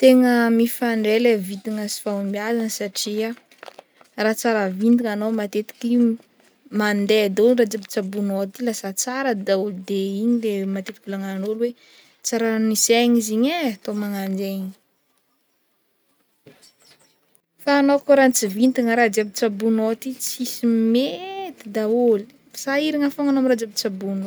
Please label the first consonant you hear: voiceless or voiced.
voiceless